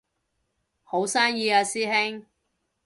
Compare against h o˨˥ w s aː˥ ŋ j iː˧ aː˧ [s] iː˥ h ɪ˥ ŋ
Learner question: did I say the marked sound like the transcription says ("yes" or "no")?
yes